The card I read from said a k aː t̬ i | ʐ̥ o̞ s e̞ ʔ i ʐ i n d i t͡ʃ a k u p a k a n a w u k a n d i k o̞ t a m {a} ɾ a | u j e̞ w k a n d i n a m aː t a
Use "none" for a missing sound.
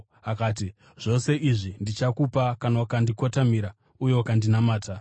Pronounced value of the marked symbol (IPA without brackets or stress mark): i